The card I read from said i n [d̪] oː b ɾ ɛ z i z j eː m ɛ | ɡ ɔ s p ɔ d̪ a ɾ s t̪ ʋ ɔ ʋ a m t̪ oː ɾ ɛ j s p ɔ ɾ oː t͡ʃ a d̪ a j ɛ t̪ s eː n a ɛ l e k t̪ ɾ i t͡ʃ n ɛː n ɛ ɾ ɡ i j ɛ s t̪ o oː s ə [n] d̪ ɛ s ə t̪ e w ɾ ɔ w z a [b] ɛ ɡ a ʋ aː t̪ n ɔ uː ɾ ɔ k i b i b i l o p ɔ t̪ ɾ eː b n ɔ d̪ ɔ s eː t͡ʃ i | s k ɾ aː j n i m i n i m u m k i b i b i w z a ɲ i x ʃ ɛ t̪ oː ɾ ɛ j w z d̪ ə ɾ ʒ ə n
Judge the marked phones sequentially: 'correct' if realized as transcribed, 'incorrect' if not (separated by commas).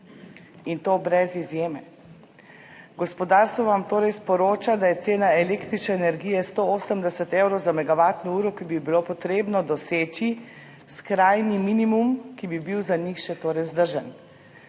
incorrect, incorrect, incorrect